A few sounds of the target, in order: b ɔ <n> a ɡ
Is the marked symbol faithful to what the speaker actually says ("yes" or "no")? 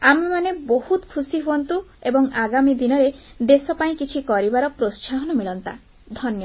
no